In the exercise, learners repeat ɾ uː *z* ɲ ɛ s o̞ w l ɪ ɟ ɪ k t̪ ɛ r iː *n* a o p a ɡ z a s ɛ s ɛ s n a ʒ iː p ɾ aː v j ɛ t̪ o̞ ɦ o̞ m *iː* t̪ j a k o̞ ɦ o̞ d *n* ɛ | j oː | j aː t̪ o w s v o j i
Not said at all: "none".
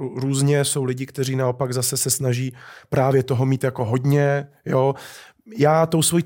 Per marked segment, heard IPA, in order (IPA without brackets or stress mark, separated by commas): z, n, iː, ɲ